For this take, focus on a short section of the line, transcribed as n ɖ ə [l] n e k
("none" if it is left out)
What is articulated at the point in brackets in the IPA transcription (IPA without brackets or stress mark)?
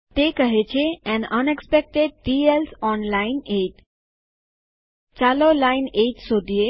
none